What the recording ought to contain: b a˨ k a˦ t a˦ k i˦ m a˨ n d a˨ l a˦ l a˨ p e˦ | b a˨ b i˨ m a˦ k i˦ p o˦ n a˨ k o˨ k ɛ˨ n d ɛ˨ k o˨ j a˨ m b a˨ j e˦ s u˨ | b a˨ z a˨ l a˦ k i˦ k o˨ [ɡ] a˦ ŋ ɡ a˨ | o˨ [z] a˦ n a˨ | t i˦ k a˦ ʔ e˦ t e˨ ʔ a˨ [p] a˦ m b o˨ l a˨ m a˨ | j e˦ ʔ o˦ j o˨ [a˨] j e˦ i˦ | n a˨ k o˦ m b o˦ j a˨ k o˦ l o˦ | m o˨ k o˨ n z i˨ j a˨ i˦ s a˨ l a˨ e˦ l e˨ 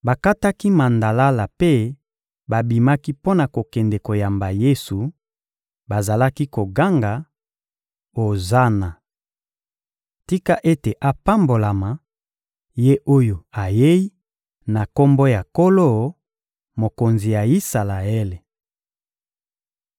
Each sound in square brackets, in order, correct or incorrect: correct, correct, correct, correct

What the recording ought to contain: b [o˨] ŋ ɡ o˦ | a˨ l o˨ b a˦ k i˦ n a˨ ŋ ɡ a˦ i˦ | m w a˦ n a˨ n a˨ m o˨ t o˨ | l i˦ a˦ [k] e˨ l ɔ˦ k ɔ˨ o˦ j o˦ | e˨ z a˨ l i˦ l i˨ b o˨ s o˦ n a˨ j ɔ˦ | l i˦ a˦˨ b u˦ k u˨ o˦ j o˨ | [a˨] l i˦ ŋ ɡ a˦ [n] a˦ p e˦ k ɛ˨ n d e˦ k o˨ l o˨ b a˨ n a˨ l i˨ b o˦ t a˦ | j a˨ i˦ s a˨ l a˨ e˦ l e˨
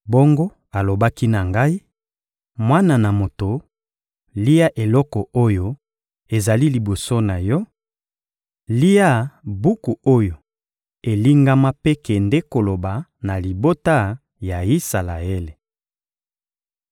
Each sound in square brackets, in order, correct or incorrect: incorrect, incorrect, incorrect, incorrect

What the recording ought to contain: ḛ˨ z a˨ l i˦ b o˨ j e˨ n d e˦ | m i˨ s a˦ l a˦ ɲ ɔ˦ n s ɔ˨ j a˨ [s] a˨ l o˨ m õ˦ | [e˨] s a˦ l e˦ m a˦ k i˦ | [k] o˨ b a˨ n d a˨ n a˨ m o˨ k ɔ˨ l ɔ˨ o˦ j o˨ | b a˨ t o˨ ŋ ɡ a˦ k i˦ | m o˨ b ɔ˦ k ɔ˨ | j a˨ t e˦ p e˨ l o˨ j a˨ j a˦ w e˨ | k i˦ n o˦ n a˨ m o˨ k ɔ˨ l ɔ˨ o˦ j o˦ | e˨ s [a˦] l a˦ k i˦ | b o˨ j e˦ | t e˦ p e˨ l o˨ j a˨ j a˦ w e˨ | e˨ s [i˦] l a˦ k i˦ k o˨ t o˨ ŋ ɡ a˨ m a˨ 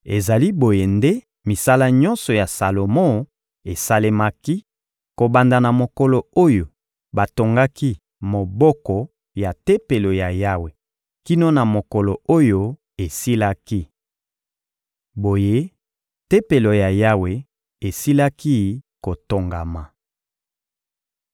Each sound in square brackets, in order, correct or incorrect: correct, correct, correct, incorrect, correct

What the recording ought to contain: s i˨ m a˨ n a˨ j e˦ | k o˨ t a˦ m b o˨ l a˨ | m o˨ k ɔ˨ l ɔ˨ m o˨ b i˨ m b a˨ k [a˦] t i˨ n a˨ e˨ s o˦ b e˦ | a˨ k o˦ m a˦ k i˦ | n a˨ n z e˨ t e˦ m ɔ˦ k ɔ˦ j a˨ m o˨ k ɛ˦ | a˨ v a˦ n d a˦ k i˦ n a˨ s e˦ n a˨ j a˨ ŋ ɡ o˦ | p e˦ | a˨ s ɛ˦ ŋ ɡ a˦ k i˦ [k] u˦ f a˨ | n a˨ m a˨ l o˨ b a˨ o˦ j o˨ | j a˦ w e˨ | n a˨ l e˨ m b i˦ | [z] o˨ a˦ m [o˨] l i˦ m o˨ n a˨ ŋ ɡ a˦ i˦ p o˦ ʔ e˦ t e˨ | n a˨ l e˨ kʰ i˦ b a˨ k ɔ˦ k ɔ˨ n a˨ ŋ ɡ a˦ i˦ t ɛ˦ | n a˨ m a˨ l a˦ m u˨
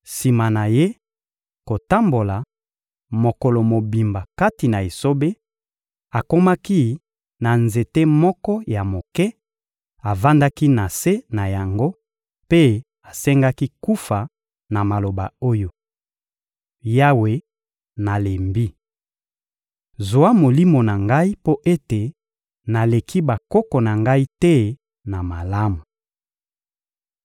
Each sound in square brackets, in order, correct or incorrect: correct, correct, correct, correct

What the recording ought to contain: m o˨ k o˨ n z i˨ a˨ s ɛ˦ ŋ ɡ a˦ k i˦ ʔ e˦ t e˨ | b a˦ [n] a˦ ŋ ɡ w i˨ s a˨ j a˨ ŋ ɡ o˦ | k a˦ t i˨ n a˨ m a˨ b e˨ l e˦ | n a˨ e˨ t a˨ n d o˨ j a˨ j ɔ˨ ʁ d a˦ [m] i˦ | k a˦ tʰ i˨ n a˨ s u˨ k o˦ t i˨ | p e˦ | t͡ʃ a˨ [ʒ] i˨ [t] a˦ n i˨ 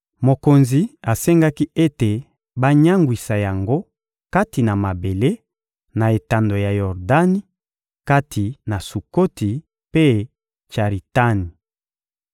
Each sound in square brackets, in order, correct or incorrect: incorrect, incorrect, incorrect, correct

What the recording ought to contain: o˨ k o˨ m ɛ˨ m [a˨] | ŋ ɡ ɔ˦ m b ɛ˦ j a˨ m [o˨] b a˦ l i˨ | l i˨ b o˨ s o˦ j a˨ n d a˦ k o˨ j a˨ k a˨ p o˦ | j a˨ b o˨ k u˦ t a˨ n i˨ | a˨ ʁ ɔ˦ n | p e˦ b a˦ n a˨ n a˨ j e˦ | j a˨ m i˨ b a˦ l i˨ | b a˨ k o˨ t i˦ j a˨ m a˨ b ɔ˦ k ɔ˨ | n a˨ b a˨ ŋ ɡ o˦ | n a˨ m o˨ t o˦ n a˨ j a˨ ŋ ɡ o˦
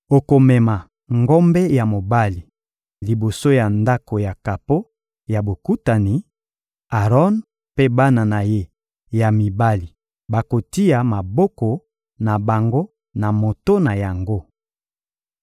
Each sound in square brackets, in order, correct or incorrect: correct, correct

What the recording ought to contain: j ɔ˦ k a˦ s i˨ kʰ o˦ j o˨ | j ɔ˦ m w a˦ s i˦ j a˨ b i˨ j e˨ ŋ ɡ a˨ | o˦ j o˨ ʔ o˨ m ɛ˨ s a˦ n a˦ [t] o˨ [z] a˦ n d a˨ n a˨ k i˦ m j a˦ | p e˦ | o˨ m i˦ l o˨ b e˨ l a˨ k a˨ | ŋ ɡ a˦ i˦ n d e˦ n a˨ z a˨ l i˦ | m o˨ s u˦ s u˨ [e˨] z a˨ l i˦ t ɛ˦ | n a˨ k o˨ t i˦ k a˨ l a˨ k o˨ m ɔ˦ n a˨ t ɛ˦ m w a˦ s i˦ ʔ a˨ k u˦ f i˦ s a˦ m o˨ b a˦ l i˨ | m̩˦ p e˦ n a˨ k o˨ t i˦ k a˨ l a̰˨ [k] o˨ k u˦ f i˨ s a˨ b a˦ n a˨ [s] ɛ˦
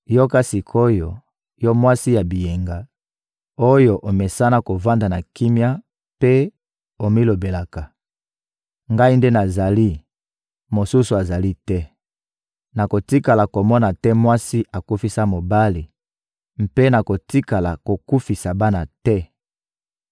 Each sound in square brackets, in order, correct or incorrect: incorrect, incorrect, incorrect, correct, incorrect

